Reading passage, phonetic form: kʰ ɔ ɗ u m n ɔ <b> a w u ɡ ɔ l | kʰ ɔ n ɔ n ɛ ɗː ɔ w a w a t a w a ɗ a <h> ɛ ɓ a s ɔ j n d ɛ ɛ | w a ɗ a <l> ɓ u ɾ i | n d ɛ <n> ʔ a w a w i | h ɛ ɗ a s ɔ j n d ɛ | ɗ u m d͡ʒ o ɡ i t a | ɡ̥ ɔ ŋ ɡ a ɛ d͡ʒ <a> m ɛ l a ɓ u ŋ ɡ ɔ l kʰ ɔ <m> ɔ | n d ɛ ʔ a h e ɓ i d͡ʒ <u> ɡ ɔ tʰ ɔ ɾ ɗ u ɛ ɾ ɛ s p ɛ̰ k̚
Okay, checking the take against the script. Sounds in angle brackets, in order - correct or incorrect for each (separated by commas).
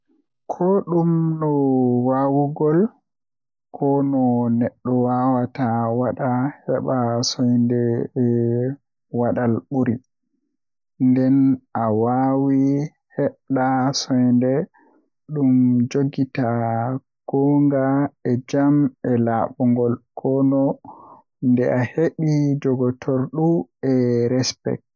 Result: incorrect, correct, correct, correct, correct, incorrect, incorrect